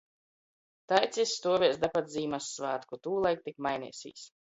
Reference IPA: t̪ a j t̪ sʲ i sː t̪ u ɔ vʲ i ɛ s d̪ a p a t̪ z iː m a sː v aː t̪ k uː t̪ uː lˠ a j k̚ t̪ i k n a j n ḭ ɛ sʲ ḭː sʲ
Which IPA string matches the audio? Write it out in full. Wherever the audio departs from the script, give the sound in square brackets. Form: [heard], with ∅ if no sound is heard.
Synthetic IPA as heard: t̪ a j t̪ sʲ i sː t̪ u ɔ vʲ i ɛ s d̪ a p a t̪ z iː m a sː v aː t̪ k [u] t̪ uː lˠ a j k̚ t̪ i k [m] a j n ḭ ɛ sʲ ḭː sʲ